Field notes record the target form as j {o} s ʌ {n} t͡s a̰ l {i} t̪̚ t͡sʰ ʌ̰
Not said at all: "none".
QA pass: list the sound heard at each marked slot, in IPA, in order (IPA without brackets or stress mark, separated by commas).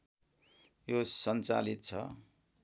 o, n, i